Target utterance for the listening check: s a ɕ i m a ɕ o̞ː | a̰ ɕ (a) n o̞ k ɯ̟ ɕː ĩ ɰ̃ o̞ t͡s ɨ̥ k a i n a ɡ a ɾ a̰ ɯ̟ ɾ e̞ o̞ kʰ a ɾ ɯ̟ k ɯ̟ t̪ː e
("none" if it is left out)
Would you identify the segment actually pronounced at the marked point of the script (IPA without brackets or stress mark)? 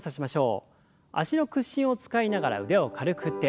i